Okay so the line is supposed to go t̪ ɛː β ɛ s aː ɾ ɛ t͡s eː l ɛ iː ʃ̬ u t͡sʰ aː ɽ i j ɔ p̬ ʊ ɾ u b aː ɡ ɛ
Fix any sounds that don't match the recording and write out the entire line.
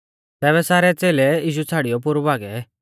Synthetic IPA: t̪ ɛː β ɛ s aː ɾ ɛ t͡s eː l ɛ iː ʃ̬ u t͡sʰ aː ɽ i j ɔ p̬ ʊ ɾ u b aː ɡ ɛ